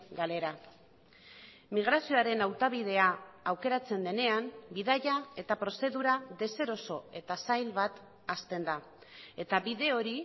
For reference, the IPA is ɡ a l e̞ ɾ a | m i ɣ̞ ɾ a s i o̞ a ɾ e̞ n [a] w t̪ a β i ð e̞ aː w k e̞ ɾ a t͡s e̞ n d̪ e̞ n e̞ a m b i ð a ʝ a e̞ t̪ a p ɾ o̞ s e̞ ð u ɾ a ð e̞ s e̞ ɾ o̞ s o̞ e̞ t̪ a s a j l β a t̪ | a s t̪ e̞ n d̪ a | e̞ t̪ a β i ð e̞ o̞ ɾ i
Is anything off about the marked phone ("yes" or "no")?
no